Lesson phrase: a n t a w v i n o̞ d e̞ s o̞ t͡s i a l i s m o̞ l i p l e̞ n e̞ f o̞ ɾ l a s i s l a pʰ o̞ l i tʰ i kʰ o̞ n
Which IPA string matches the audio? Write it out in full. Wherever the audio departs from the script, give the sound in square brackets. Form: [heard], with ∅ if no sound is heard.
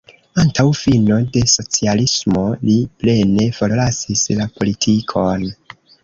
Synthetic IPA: a n t a w [f] i n o̞ d e̞ s o̞ t͡s i a l i s m o̞ l i p l e̞ n e̞ f o̞ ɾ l a s i s l a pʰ o̞ l i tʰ i kʰ o̞ n